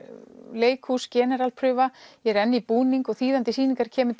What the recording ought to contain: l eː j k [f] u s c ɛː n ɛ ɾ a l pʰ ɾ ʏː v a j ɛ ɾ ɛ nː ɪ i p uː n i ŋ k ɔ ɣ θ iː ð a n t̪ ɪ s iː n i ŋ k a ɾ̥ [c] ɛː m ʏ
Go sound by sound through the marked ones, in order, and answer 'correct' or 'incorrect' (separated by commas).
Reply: incorrect, incorrect